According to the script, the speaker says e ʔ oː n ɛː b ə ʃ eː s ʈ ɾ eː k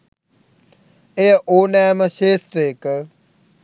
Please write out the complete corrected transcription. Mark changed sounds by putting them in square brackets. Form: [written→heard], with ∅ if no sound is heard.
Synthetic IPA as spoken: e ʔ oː n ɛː [b→m] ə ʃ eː s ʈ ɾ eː k